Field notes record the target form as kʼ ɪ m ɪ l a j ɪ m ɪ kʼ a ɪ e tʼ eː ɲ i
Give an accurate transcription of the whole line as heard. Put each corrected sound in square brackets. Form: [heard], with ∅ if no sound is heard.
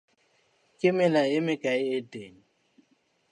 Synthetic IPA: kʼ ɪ m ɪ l a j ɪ m ɪ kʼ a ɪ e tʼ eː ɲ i